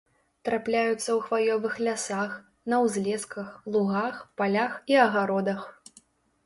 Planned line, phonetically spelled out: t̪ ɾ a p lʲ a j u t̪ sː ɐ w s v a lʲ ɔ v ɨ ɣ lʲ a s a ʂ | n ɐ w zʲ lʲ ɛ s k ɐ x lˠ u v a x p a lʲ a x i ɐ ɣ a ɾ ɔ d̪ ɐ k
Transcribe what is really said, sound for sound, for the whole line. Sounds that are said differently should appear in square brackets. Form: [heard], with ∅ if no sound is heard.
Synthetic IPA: t̪ ɾ a p lʲ a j u t̪ sː ɐ w [x] v a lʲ ɔ v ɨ [x] lʲ a s a [x] | n ɐ w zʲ lʲ ɛ s k ɐ x lˠ u [ɣ] a x p a lʲ a x i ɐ ɣ a ɾ ɔ d̪ ɐ [x]

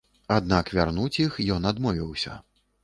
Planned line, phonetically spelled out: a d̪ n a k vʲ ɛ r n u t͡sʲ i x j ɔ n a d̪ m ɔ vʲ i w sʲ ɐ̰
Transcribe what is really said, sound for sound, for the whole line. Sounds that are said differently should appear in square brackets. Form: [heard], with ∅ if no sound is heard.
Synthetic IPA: a d̪ n a k vʲ [a] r n u t͡sʲ i x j ɔ n a d̪ m ɔ vʲ i w sʲ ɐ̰

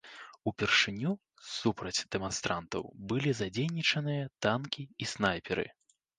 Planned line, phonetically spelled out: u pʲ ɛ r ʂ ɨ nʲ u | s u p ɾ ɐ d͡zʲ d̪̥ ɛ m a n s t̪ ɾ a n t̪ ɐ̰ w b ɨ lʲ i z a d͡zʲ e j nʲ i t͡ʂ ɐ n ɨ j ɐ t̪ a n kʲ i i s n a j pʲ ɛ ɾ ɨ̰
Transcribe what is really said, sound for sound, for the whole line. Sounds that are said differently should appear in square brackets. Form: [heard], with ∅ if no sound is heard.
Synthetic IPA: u pʲ ɛ r ʂ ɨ nʲ u | s u p ɾ ɐ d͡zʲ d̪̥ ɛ m a n s t̪ ɾ a n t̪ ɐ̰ w b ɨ lʲ i z a d͡zʲ e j nʲ i t͡ʂ ɐ n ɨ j ɐ t̪ a n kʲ i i s n a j pʲ ɛ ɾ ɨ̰

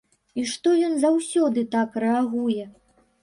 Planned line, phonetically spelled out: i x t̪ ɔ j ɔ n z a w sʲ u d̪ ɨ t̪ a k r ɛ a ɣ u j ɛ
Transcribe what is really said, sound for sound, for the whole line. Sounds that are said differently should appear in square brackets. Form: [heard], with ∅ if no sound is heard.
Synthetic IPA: i [ʂ] t̪ ɔ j ɔ n z a w sʲ [ɔ] d̪ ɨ t̪ a k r ɛ a ɣ u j ɛ

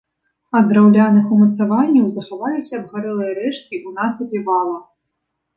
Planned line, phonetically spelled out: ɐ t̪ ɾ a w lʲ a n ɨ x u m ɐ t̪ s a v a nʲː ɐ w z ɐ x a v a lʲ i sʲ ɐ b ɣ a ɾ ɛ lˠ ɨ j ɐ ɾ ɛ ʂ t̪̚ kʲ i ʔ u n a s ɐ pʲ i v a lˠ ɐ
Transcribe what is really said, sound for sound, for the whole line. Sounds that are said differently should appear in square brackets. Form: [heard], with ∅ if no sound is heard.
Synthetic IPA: ɐ [d̪] ɾ a w lʲ a n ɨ x u m ɐ t̪ s a v a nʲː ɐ w z ɐ x a v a lʲ i sʲ ɐ b ɣ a ɾ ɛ lˠ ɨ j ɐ ɾ ɛ ʂ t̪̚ kʲ i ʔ u n a s ɐ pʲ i v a lˠ ɐ

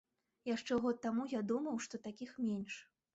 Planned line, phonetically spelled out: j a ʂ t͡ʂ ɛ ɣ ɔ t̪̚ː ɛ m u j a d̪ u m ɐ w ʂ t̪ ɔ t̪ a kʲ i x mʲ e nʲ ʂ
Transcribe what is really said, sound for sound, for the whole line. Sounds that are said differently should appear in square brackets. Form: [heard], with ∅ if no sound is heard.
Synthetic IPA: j a ʂ t͡ʂ ɛ ɣ ɔ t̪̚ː [a] m u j a d̪ u m ɐ w ʂ t̪ ɔ t̪ a kʲ i x mʲ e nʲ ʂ

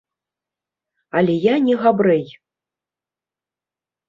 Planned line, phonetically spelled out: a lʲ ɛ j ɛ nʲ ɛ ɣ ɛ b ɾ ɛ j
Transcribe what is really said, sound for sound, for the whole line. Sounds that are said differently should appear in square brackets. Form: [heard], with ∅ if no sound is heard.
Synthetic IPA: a lʲ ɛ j [a] nʲ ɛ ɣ [a] b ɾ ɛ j

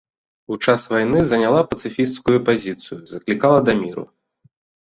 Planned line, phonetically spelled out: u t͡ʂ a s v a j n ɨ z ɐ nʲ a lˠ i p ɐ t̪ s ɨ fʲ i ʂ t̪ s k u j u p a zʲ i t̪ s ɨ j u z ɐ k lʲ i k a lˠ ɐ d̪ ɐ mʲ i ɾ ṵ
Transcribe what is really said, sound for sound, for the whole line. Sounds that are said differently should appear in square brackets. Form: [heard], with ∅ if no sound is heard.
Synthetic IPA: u t͡ʂ a s v a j n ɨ z ɐ nʲ a lˠ [a] p ɐ t̪ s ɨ fʲ i [s] t̪ s k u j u p a zʲ i t̪ s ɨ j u z ɐ k lʲ i k a lˠ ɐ d̪ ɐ mʲ i ɾ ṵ

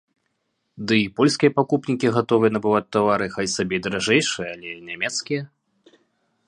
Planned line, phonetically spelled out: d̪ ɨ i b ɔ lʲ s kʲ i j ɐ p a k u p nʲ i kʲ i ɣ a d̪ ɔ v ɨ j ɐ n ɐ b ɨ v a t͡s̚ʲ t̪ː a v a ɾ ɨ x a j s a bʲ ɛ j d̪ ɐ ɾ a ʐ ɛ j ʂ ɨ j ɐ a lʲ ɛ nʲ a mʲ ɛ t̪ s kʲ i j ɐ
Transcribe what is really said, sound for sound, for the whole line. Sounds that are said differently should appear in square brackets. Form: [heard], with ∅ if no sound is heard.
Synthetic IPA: d̪ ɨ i [p] ɔ lʲ s kʲ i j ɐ p a k u p nʲ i kʲ i ɣ a [t̪] ɔ v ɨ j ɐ n ɐ b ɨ v a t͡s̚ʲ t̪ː a v a ɾ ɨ x a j s a bʲ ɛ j d̪ ɐ ɾ a ʐ ɛ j ʂ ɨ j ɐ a lʲ ɛ nʲ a mʲ ɛ t̪ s kʲ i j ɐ

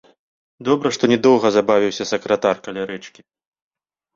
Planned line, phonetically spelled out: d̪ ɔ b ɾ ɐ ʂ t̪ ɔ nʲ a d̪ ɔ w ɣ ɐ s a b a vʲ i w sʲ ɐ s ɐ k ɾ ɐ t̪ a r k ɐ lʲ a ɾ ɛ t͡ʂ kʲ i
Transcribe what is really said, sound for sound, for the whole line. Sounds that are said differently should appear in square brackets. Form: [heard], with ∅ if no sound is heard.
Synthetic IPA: d̪ ɔ b ɾ ɐ ʂ t̪ ɔ nʲ [ɛ] d̪ ɔ w ɣ ɐ [z] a b a vʲ i w sʲ ɐ s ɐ k ɾ ɐ t̪ a r k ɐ lʲ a ɾ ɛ t͡ʂ kʲ i

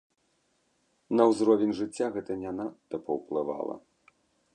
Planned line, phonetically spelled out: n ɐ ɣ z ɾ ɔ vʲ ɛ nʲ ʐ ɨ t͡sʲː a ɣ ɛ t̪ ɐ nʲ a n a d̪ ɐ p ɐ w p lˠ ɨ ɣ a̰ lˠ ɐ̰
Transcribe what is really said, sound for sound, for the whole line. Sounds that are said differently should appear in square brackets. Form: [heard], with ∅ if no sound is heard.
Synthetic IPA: n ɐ [w] z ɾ ɔ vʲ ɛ nʲ ʐ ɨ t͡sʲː a ɣ ɛ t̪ ɐ nʲ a n a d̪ ɐ p ɐ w p lˠ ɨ [v] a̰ lˠ ɐ̰

